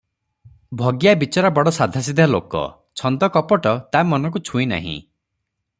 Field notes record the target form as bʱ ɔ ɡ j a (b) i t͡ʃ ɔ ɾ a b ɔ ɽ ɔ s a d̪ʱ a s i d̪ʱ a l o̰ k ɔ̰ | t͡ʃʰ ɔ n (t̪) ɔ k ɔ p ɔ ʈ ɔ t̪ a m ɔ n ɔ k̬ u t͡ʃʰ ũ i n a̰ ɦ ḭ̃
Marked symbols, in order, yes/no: yes, no

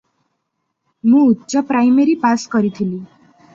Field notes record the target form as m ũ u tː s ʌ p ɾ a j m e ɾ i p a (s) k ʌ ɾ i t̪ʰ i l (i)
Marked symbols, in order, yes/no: yes, yes

